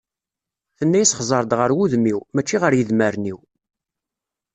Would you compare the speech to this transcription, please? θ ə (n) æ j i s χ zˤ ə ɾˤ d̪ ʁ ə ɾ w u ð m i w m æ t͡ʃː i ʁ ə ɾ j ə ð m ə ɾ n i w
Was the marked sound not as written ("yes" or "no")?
yes